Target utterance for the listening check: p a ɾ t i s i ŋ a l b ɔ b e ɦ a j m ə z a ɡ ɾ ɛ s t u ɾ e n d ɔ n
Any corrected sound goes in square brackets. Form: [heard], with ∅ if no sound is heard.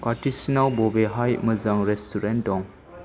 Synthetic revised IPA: p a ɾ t i s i [n] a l b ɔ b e ɦ a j m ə z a [ŋ] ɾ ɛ s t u ɾ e n d ɔ [ŋ]